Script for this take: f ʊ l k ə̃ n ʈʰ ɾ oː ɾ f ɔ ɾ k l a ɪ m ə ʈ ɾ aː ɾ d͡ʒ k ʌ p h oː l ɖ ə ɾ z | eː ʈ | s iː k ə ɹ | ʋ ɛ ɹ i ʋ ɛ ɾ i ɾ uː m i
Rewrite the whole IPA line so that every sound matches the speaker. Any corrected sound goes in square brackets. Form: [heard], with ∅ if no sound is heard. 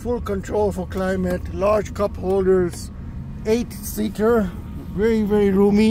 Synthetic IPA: f ʊ l k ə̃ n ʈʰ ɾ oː [l] f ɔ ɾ k l a ɪ m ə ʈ [l] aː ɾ d͡ʒ k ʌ p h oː l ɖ ə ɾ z | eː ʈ | s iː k ə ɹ | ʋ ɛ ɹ i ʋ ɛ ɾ i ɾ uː m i